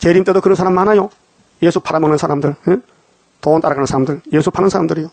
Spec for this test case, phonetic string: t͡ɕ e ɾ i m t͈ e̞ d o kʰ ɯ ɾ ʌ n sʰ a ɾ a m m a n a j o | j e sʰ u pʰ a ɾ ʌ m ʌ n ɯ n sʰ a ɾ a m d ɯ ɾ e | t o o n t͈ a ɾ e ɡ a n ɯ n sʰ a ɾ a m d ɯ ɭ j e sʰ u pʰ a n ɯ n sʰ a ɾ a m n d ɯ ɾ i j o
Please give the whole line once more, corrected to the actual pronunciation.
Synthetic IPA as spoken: t͡ɕ e ɾ i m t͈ e̞ d o k ɯ ɾ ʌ n sʰ a ɾ a m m a n a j o | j e sʰ u pʰ a ɾ a m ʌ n ɯ n sʰ a ɾ a m d ɯ ɭ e | t o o n t͈ a ɾ a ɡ a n ɯ n sʰ a ɾ a m d ɯ ɭ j e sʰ u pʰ a n ɯ n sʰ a ɾ a m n d ɯ ɾ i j o